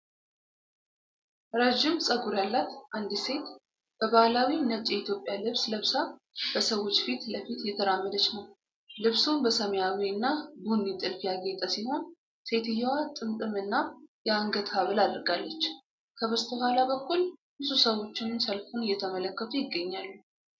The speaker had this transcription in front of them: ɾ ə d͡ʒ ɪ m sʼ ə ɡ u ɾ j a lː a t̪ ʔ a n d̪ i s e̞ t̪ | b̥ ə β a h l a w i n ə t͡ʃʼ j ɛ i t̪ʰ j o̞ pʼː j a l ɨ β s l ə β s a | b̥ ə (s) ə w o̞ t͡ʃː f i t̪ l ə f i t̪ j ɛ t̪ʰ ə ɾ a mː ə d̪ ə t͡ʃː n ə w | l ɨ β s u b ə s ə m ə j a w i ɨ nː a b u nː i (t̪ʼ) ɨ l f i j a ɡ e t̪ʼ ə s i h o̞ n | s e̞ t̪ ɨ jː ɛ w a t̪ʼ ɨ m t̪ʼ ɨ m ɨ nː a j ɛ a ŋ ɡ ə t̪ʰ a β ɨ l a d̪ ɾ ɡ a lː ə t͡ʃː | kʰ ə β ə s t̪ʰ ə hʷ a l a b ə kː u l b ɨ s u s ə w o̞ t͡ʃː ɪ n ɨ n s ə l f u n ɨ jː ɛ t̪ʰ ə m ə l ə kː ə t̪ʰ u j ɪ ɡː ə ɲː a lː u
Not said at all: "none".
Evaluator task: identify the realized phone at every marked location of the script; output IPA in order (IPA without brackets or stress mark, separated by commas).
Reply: s, t̪ʼ